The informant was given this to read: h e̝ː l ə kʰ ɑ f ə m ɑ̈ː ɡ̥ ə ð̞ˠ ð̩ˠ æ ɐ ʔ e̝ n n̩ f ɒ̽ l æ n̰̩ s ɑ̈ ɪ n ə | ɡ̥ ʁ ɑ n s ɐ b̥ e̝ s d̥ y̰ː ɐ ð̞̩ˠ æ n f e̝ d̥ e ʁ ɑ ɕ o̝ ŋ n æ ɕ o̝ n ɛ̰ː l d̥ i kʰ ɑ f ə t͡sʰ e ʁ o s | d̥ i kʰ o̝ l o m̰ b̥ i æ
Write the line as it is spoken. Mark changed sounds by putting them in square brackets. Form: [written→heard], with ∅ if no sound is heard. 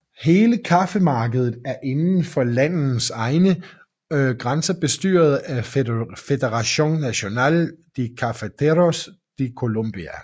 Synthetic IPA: h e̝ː l ə kʰ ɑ f ə m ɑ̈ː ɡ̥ ə ð̞ˠ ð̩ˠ æ ɐ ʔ e̝ n n̩ f ɒ̽ l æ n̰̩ s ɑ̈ ɪ n ə | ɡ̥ ʁ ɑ n s ɐ b̥ e̝ s d̥ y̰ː ɐ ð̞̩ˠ æ [n→∅] f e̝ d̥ e ʁ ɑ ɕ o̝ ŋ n æ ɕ o̝ n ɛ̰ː l d̥ i kʰ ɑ f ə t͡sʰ e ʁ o s | d̥ i kʰ o̝ l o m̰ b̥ i æ